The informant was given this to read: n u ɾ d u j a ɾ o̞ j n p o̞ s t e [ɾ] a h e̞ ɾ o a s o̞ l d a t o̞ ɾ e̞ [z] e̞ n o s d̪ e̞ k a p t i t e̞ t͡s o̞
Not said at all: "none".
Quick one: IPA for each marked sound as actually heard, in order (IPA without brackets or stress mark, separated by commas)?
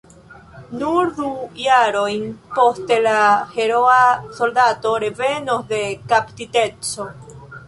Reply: l, v